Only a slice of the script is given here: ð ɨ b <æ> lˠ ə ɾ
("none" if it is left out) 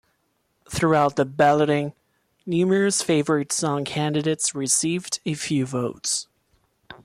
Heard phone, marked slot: æ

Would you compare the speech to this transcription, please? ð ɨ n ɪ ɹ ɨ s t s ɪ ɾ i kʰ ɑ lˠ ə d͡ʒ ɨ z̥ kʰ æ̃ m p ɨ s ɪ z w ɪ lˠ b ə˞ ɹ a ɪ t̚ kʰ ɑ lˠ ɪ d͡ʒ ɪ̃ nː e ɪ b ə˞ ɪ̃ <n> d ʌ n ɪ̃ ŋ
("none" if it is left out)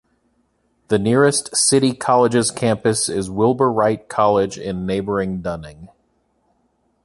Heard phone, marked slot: ŋ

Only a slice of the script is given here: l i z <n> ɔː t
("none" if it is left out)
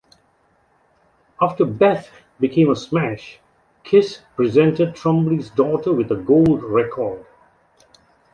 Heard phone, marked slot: d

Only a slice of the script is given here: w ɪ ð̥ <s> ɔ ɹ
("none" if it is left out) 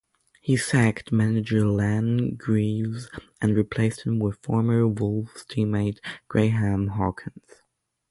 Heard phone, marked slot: f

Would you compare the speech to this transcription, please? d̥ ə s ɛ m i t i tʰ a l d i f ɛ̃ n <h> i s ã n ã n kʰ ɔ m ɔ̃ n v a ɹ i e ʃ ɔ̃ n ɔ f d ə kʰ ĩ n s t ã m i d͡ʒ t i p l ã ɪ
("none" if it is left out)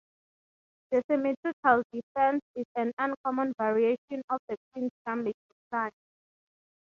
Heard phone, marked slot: s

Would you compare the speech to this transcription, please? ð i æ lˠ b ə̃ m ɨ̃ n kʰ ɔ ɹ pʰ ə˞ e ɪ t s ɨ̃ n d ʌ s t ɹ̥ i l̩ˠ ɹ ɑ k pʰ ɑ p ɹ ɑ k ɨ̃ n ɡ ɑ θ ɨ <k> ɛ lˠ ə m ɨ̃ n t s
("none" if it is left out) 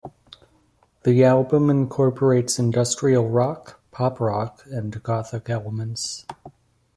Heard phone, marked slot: k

